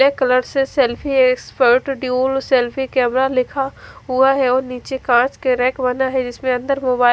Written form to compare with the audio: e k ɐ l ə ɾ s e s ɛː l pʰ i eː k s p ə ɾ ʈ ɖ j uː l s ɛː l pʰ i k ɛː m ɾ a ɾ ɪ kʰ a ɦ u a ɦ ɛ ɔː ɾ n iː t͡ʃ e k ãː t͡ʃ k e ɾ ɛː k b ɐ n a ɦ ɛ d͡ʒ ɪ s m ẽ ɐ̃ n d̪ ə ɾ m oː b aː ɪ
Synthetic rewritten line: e k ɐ l ə ɾ s e s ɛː l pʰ i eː k s p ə ɾ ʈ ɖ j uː l s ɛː l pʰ i k ɛː m ɾ a l ɪ kʰ a ɦ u a ɦ ɛ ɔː ɾ n iː t͡ʃ e k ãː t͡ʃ k e ɾ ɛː k b ɐ n a ɦ ɛ d͡ʒ ɪ s m ẽ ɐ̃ n d̪ ə ɾ m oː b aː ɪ